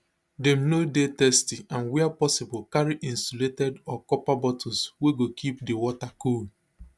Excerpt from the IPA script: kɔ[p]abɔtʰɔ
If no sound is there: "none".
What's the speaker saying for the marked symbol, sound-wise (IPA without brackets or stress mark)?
p